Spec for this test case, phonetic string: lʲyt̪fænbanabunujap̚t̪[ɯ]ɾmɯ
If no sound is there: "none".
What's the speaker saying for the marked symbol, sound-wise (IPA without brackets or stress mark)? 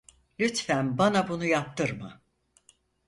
ɯ